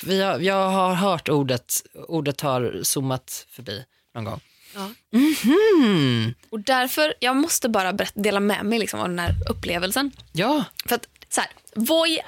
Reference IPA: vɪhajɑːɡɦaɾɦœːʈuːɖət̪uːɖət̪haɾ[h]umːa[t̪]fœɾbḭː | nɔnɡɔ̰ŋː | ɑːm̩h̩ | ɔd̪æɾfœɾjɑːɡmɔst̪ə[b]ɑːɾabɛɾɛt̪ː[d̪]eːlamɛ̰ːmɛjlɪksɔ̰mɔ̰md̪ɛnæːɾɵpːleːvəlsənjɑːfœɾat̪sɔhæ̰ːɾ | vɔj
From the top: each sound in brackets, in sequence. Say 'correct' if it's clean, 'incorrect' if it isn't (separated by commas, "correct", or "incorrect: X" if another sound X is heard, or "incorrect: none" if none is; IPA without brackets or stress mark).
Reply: incorrect: s, correct, correct, correct